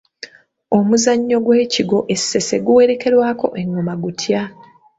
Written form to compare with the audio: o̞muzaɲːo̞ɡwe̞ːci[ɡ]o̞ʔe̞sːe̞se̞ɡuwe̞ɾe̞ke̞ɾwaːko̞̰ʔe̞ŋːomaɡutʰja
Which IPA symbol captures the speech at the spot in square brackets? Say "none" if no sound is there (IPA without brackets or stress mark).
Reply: ɡ